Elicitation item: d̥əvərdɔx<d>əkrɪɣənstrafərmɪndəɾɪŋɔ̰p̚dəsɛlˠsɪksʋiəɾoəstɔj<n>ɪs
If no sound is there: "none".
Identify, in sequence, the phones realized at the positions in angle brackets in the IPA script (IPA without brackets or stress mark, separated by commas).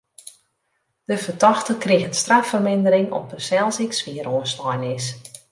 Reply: t, n